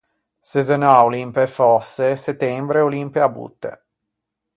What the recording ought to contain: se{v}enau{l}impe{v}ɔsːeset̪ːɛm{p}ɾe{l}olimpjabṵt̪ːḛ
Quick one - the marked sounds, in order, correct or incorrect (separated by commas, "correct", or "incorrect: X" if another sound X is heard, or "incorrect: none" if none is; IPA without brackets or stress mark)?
incorrect: z, correct, incorrect: f, incorrect: b, incorrect: none